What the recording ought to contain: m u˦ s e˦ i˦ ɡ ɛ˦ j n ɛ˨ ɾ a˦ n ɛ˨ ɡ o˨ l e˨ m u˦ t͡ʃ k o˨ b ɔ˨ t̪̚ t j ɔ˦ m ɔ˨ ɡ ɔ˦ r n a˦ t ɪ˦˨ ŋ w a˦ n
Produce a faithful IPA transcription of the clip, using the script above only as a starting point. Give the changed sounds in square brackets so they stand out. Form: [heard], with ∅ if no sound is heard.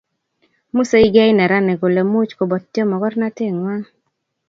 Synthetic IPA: m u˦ s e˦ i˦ ɡ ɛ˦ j n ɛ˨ ɾ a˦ n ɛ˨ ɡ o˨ l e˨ m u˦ t͡ʃ k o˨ b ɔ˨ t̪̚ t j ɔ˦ m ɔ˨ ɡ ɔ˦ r n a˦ t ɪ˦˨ ŋ w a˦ [ŋ]